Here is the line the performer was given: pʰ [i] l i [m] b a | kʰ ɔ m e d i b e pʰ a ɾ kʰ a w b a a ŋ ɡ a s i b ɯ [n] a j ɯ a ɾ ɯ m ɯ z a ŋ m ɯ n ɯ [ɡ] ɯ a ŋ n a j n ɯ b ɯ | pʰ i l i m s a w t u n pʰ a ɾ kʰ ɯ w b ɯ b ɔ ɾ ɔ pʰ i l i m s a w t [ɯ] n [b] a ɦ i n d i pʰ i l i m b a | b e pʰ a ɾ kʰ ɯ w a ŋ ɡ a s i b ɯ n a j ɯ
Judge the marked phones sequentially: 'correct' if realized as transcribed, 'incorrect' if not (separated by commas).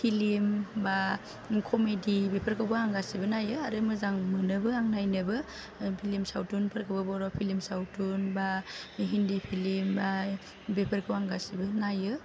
correct, correct, correct, incorrect, incorrect, correct